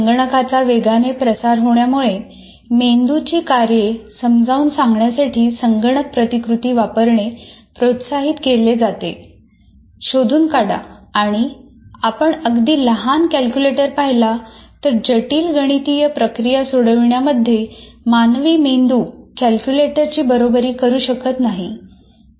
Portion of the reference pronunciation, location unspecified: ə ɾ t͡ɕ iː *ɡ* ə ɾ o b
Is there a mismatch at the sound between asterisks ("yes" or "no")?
yes